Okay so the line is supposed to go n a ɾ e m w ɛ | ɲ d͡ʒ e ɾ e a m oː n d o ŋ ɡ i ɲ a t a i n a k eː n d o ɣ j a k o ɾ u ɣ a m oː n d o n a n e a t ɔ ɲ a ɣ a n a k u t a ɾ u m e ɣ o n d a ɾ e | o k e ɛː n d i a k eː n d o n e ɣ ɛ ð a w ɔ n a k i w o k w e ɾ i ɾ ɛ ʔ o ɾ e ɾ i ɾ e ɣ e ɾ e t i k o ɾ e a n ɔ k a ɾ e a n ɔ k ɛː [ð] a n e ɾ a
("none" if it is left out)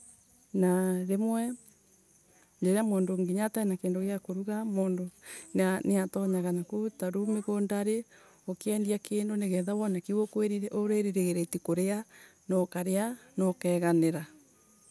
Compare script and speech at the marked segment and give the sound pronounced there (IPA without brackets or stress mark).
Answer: ɣ